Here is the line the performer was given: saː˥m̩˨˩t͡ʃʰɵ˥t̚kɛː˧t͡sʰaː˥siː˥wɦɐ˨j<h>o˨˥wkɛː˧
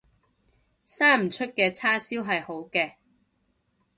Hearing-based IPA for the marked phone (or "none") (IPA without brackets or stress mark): h